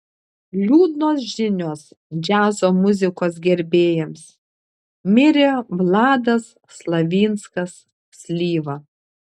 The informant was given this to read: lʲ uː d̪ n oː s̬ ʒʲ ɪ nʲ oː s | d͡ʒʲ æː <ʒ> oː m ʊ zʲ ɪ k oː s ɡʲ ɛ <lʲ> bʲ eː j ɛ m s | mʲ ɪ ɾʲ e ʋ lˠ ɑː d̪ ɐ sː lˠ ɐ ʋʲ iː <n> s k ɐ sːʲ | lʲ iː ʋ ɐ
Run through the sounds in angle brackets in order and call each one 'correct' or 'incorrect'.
incorrect: z, incorrect: ɾʲ, correct

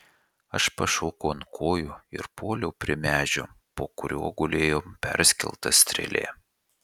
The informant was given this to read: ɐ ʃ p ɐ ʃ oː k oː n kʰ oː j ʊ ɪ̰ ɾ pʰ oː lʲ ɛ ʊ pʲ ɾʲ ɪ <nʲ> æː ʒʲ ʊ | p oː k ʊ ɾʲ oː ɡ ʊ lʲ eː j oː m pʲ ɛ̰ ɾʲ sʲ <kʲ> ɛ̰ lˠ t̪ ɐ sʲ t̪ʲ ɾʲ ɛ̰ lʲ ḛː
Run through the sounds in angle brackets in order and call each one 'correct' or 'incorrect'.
incorrect: mʲ, correct

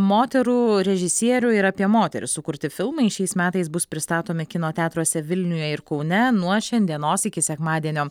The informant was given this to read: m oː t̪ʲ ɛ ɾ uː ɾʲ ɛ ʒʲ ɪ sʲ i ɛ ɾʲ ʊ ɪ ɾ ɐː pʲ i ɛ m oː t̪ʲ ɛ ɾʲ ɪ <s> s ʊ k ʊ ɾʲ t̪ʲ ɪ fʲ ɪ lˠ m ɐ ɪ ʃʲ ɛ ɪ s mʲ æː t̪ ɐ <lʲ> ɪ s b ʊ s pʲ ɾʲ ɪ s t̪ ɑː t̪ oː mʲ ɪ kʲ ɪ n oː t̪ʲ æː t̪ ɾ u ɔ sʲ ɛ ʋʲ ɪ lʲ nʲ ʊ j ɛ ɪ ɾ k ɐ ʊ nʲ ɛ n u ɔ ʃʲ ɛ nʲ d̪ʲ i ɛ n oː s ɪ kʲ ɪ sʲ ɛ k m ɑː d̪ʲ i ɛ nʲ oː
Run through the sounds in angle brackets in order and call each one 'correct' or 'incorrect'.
correct, incorrect: none

